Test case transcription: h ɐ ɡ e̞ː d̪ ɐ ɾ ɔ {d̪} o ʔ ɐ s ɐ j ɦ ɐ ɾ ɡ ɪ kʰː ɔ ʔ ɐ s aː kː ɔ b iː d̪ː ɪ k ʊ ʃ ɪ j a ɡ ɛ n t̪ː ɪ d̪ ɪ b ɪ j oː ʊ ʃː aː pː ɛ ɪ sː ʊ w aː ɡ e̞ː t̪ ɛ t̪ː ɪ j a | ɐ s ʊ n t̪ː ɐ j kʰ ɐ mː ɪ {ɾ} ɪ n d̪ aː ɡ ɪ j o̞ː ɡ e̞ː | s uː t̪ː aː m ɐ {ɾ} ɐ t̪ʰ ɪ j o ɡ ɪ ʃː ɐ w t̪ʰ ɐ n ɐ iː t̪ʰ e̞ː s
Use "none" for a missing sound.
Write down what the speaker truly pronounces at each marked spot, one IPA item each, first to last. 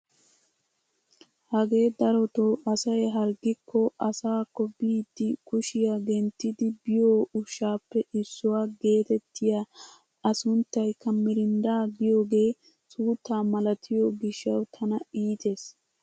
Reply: t̪, ɾ, l

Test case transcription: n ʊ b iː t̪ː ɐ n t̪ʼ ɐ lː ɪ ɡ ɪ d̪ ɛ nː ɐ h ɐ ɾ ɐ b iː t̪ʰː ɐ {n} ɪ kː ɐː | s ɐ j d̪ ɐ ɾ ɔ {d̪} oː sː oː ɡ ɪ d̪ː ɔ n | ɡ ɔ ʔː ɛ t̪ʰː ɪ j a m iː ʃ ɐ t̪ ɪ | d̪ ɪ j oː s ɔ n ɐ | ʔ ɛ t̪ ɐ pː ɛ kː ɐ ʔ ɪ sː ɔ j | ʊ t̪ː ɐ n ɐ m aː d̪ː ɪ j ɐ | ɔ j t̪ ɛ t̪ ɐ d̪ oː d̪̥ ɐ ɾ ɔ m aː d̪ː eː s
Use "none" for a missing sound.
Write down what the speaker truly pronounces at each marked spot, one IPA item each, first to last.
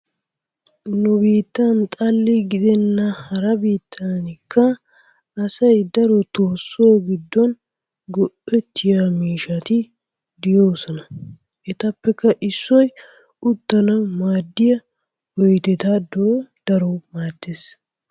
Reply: n, t̪

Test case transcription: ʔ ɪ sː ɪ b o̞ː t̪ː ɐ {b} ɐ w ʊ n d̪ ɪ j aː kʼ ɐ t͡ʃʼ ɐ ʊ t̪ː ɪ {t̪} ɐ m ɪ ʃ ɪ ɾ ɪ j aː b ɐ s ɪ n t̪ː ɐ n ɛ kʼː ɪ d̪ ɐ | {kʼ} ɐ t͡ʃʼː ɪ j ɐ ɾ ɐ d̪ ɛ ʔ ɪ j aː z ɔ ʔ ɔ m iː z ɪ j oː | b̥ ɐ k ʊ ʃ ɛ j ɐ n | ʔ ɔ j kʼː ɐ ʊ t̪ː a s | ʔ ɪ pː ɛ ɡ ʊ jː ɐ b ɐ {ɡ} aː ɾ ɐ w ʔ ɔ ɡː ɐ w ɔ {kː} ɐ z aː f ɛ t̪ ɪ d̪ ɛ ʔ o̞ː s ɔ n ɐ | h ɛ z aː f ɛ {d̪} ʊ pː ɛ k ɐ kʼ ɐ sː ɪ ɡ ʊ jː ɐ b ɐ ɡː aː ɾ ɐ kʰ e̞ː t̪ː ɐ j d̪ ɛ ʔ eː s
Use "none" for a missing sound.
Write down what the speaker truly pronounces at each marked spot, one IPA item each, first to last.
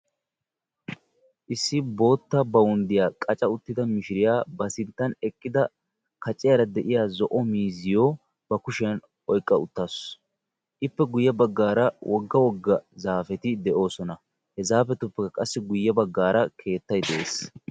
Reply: b, d̪, k, ɡː, ɡː, t̪

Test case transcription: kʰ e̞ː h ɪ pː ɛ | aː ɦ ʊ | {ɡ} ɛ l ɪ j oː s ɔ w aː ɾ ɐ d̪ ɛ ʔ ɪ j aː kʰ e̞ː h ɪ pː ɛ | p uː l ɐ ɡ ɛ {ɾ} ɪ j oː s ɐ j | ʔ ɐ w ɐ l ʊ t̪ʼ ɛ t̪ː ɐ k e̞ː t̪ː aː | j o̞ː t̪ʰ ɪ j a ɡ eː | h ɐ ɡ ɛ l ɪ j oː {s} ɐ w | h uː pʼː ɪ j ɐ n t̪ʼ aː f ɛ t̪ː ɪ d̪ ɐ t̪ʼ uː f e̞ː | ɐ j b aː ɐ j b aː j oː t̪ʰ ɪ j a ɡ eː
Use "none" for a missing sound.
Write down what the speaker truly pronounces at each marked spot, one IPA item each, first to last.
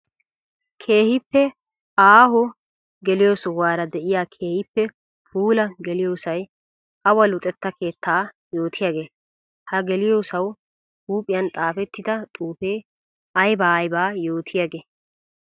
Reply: ɡ, l, s

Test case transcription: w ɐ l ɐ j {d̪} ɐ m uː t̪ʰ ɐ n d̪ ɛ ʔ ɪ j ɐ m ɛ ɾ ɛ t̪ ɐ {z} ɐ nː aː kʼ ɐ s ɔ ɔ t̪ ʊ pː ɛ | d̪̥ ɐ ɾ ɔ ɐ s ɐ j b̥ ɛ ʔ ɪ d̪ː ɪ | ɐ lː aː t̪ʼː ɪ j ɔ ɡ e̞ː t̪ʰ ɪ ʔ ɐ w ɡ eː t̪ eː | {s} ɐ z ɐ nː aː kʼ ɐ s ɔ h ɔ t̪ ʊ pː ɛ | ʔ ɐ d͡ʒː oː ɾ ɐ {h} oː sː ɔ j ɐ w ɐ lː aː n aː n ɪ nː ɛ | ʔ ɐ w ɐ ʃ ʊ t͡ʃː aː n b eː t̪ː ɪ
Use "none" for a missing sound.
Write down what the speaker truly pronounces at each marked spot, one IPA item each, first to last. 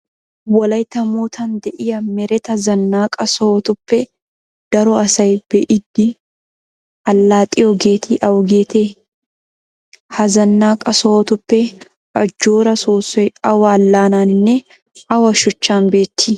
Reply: t̪, z, h, s

